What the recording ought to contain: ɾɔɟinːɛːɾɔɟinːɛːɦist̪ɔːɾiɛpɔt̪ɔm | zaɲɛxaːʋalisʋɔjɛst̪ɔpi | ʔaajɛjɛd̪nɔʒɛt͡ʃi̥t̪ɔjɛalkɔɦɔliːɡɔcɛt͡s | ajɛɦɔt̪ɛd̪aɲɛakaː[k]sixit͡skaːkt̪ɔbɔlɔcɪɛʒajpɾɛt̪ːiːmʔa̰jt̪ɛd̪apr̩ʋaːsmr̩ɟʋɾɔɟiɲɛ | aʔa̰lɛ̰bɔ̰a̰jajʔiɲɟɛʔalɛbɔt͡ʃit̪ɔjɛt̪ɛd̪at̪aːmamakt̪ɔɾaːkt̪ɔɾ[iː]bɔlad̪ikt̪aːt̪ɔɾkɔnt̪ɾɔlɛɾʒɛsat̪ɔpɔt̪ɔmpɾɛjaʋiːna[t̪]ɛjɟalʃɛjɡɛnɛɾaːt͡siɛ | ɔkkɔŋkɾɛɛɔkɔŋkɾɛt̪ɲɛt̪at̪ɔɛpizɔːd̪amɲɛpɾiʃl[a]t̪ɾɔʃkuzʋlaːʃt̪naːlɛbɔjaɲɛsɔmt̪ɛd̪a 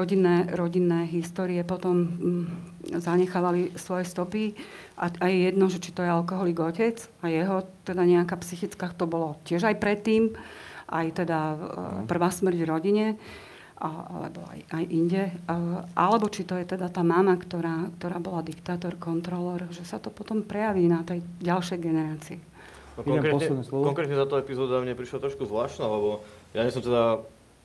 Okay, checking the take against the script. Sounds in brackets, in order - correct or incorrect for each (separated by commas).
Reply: incorrect, incorrect, correct, correct